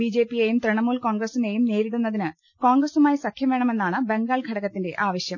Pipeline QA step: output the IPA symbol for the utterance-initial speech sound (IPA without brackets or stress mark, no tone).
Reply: b